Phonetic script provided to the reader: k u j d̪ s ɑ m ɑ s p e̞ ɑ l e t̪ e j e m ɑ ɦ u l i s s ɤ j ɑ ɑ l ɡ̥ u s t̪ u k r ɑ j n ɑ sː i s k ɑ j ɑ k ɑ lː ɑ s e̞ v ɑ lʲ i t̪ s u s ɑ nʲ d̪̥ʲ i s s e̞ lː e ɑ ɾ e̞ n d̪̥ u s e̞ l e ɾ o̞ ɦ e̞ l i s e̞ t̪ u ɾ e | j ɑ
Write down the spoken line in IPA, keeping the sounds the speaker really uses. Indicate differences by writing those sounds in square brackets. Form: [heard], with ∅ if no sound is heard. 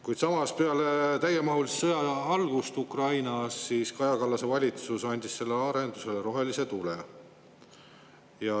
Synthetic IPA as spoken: k u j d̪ s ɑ m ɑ s p e̞ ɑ l e t̪ [æ] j e m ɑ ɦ u l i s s ɤ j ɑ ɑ l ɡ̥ u s t̪ u k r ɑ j n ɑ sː i s k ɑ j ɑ k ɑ lː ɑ s e̞ v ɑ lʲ i t̪ s u s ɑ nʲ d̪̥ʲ i s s e̞ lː e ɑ ɾ e̞ n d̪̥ u s e̞ l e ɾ o̞ ɦ e̞ l i s e̞ t̪ u [l] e | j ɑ